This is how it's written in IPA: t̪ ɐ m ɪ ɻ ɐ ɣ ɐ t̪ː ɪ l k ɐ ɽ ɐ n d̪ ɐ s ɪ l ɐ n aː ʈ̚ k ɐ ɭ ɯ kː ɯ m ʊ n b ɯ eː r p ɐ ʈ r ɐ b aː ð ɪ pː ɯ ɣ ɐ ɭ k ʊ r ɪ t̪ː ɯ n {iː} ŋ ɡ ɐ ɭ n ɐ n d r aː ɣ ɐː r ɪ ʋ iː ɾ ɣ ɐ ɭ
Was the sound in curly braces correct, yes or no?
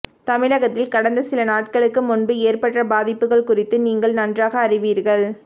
yes